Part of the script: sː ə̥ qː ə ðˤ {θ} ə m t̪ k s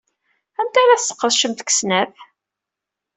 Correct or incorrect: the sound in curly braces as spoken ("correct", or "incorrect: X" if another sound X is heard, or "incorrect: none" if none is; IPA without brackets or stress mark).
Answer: incorrect: ʃ